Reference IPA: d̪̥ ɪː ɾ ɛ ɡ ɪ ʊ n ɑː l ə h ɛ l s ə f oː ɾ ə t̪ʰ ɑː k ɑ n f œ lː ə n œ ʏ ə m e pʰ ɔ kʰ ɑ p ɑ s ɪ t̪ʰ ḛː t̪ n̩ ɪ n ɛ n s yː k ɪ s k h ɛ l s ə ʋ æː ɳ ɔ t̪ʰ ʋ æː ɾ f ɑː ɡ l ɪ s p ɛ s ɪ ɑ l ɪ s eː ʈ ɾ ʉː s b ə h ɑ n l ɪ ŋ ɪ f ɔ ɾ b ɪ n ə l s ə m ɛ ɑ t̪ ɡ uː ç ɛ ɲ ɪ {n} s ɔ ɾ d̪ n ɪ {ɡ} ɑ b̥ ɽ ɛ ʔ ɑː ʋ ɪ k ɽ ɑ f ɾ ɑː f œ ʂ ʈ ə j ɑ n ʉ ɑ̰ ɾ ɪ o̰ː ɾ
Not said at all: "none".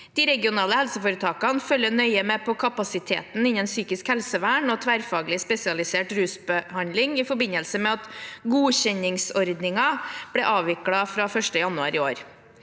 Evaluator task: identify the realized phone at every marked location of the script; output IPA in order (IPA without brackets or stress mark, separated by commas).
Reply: ŋ, ŋ